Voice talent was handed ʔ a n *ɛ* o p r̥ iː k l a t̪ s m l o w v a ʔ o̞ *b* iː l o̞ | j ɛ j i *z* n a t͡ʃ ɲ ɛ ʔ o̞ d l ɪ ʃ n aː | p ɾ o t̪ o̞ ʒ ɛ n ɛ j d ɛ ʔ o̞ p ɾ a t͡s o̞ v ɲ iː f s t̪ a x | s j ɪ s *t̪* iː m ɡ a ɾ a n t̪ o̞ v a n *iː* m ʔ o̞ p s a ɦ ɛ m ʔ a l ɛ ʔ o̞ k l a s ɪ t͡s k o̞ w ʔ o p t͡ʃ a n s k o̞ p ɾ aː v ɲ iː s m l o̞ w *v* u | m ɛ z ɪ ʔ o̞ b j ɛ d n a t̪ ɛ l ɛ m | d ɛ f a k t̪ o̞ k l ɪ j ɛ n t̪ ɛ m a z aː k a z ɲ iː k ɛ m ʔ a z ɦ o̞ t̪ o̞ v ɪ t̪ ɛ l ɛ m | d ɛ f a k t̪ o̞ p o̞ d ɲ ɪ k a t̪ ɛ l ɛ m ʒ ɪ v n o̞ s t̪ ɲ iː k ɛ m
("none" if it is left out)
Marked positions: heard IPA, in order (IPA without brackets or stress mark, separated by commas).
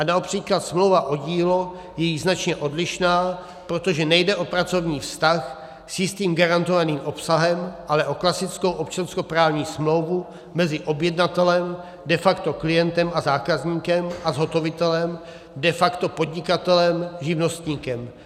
a, ɟ, z, t̪, iː, v